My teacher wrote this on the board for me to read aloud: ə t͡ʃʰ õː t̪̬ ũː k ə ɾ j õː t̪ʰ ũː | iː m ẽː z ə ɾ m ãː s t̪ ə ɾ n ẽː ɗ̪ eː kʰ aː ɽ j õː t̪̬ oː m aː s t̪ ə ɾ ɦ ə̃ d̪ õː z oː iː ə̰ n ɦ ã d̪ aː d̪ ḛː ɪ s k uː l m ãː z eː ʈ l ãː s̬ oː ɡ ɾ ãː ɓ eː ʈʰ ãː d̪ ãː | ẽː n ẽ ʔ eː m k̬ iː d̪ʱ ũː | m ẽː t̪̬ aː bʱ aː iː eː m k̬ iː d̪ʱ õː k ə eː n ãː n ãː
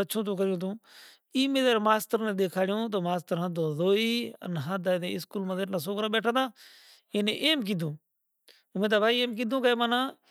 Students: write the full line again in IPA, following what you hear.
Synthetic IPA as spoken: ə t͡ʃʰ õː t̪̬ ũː k ə ɾ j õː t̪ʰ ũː | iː m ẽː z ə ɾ m aː s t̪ ə ɾ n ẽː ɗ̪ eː kʰ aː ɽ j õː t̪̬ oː m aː s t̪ ə ɾ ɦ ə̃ d̪ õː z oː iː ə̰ n ɦ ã d̪ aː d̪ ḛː ɪ s k uː l m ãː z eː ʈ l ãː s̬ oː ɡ ɾ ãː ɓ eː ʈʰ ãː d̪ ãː | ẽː n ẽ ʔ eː m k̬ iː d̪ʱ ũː | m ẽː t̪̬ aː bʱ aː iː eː m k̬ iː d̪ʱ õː k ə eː m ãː n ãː